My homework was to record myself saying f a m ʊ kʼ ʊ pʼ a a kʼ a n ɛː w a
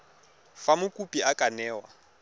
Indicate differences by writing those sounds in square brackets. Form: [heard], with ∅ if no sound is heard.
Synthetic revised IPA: f a m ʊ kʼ [u] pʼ [i] a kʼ a n ɛː w a